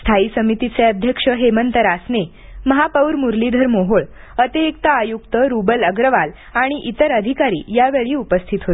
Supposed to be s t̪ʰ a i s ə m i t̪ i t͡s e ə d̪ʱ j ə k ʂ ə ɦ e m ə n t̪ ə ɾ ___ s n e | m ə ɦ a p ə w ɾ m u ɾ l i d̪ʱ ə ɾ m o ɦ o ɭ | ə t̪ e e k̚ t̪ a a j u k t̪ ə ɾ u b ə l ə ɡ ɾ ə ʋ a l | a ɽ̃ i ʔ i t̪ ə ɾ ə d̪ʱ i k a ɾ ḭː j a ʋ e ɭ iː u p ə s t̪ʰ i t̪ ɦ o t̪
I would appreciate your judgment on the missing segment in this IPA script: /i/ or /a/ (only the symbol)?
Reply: a